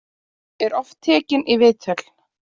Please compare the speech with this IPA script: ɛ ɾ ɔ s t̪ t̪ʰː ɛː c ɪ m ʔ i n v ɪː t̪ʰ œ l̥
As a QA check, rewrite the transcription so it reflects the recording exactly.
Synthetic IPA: ɛ ɾ ɔ f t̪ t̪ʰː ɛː c ɪ n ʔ i v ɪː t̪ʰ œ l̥